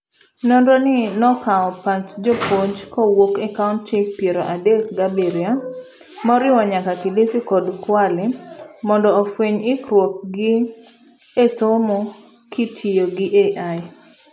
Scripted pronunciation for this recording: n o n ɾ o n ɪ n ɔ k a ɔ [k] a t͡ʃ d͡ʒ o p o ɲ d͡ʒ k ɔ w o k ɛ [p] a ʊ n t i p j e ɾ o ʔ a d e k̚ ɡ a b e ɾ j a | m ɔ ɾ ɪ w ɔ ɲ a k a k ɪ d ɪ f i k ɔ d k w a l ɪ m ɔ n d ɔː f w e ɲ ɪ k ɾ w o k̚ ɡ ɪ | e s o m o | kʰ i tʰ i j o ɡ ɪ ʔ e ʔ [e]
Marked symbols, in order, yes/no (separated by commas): no, no, no